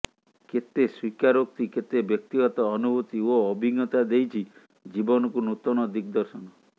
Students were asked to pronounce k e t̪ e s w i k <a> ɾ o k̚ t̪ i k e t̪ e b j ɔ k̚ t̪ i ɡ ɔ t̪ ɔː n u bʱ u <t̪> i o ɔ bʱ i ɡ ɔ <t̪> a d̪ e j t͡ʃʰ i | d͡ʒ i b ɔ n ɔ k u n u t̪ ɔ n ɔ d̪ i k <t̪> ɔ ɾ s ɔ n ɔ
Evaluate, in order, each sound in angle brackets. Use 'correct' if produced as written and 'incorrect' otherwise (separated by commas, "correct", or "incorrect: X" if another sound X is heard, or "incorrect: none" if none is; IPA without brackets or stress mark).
correct, correct, correct, incorrect: d̪